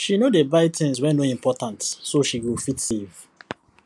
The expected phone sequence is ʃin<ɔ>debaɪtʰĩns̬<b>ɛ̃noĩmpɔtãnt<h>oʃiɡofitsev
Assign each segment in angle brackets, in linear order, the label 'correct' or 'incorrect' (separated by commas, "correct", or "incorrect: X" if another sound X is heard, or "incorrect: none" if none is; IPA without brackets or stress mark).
incorrect: o, incorrect: w, incorrect: s